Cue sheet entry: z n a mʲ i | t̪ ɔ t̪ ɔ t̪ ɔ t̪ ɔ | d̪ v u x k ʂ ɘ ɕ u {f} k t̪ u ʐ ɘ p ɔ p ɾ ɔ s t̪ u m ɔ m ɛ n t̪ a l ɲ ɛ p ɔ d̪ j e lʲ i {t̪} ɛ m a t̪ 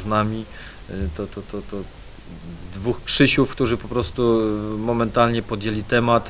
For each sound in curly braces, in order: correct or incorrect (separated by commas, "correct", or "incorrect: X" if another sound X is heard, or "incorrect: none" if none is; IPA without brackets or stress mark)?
correct, correct